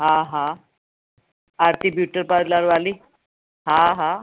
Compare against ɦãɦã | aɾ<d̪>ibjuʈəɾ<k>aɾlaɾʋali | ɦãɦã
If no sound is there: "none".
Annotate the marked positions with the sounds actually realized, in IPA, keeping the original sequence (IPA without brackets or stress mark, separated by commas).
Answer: t̪, p